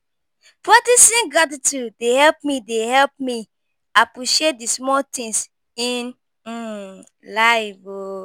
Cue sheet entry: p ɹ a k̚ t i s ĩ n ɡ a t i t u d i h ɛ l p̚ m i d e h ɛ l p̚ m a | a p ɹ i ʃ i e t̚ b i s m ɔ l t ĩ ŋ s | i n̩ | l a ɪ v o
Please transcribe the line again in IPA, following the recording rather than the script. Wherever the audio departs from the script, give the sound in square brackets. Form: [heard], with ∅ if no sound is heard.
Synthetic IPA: p ɹ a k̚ t i s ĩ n ɡ a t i t u d [e] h ɛ l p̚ m i d e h ɛ l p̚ m [i] | a p ɹ i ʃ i e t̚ [d] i s m ɔ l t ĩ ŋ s | i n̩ | l a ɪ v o